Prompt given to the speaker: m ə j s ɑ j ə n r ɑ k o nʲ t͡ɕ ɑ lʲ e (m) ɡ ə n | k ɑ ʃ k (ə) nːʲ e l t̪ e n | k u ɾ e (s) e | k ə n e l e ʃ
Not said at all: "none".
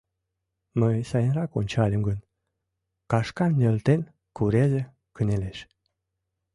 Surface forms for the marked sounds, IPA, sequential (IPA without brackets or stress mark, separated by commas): m, ɑ, z